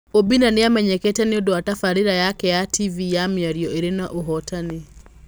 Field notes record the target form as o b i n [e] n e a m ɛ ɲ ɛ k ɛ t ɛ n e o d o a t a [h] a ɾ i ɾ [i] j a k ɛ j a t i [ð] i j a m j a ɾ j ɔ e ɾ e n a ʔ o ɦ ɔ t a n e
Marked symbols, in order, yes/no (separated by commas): no, no, no, no